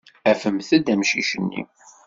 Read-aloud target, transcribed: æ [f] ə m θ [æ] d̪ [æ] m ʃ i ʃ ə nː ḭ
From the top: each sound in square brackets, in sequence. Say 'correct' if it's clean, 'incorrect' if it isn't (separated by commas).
correct, correct, correct